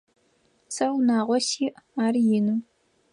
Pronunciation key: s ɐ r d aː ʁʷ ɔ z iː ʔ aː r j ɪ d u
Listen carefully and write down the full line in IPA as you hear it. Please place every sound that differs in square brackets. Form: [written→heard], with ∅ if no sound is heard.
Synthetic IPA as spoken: s ɐ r [d→n] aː ʁʷ ɔ [z→s] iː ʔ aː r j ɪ [d→n] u